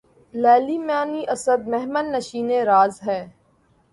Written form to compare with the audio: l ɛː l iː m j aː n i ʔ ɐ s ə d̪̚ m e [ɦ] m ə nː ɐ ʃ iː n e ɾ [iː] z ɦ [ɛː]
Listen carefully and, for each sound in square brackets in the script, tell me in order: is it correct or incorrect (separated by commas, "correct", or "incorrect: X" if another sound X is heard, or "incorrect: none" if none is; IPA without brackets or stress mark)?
correct, incorrect: aː, correct